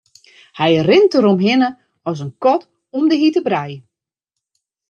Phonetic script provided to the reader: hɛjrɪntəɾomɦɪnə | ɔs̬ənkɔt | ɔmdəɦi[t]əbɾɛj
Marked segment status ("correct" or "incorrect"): correct